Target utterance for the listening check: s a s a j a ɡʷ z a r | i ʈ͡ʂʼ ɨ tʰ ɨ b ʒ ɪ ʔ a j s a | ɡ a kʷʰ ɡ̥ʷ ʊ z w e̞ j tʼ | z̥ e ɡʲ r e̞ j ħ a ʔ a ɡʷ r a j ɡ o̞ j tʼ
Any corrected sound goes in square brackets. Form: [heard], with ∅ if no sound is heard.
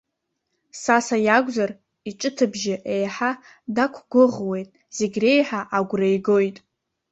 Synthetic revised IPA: s a s a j a ɡʷ z a r | i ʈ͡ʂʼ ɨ tʰ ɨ b ʒ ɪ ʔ [e] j [ħ] a | [d] a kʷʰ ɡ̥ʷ ʊ [ʁ] w e̞ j tʼ | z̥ e ɡʲ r e̞ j ħ a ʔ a ɡʷ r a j ɡ o̞ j tʼ